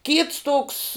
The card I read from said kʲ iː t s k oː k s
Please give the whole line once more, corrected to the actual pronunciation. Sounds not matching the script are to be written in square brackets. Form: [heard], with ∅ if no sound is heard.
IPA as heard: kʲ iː t s [t] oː k s

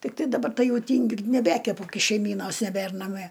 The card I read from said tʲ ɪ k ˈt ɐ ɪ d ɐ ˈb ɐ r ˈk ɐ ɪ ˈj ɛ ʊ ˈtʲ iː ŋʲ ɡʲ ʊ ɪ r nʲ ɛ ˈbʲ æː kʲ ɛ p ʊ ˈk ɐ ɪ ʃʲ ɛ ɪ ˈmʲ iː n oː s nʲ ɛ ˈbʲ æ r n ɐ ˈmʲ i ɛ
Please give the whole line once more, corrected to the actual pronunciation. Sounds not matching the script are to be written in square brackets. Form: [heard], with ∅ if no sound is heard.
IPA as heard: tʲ ɪ k ˈt ɐ ɪ d ɐ ˈb ɐ r [ˈt] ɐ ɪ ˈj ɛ ʊ ˈtʲ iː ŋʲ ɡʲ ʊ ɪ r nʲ ɛ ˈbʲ æː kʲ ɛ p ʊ ˈk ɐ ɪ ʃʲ ɛ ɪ ˈmʲ iː n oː s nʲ ɛ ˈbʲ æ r n ɐ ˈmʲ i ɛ

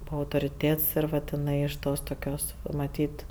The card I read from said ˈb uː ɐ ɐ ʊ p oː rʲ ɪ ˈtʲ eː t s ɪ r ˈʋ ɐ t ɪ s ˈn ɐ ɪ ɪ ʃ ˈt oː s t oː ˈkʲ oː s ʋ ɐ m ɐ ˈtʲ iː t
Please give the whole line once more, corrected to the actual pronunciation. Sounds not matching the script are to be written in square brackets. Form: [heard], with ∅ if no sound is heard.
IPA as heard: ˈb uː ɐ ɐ ʊ [t] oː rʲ ɪ ˈtʲ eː t s ɪ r ˈʋ ɐ t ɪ [∅] ˈn ɐ ɪ ɪ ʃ ˈt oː s t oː ˈkʲ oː s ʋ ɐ m ɐ ˈtʲ iː t

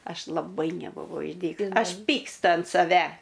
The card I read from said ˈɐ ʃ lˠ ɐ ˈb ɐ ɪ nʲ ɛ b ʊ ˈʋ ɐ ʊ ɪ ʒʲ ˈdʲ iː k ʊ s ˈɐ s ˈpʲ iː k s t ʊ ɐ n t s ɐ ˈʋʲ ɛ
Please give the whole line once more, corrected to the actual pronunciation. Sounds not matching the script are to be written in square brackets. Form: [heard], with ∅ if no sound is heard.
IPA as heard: ˈɐ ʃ lˠ ɐ ˈb ɐ ɪ nʲ ɛ b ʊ ˈʋ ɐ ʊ ɪ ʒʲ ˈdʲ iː k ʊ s ˈɐ [ʃ] ˈpʲ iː k s t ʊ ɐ n t s ɐ ˈʋʲ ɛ

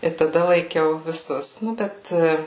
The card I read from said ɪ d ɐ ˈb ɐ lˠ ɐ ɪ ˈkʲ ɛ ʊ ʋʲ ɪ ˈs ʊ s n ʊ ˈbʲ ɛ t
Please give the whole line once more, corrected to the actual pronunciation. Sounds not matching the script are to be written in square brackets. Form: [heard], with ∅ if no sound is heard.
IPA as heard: ɪ [t] ɐ [ˈd] ɐ lˠ ɐ ɪ ˈkʲ ɛ ʊ ʋʲ ɪ ˈs ʊ s n ʊ ˈbʲ ɛ t

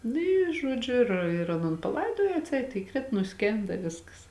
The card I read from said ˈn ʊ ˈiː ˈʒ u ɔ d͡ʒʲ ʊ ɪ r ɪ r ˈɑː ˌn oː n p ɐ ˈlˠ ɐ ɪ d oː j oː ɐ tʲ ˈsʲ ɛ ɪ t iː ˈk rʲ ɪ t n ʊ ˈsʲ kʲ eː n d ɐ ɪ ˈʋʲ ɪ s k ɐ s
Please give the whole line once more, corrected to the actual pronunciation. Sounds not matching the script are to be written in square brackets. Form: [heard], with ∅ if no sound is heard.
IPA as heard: ˈn ʊ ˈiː ˈʒ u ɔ d͡ʒʲ ʊ ɪ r ɪ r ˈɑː ˌn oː n p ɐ ˈlˠ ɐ ɪ d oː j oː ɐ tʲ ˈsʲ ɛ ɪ t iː ˈk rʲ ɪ t n ʊ ˈsʲ kʲ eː n d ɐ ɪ ˈʋʲ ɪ s k ɐ s

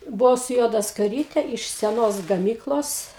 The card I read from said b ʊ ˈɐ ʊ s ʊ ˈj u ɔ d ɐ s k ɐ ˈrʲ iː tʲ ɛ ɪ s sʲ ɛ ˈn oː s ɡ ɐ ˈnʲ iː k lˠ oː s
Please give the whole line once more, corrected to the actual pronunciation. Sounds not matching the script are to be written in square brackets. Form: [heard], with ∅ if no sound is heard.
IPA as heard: b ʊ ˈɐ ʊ s ʊ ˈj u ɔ d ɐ s k ɐ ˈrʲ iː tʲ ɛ ɪ [ʃ] sʲ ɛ ˈn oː s ɡ ɐ [ˈmʲ] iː k lˠ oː s

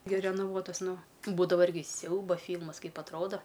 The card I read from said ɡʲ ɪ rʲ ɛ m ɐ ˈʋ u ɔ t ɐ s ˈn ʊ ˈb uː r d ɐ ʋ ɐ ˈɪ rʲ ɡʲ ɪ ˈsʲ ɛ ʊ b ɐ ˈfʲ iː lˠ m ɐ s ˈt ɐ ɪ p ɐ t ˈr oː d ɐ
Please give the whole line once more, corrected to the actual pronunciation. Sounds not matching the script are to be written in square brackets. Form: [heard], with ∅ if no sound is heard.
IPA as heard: ɡʲ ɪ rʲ ɛ [n] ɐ ˈʋ u ɔ t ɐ s ˈn ʊ ˈb uː [∅] d ɐ ʋ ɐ ˈɪ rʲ ɡʲ ɪ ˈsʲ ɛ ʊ b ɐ ˈfʲ iː lˠ m ɐ s [ˈk] ɐ ɪ p ɐ t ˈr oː d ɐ

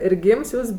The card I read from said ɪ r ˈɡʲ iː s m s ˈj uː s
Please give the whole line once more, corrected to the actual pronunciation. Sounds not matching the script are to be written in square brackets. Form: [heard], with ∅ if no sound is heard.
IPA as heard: ɪ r ˈɡʲ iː [∅] m s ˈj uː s

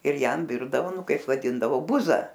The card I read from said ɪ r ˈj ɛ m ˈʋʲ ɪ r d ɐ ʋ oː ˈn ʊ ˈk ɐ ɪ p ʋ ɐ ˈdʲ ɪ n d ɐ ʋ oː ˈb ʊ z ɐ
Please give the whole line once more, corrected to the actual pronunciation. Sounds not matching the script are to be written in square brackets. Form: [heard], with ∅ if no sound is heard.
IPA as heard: ɪ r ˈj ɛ m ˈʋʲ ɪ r d ɐ ʋ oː ˈn ʊ ˈk ɐ ɪ p ʋ ɐ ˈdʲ ɪ n d ɐ ʋ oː ˈb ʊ z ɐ

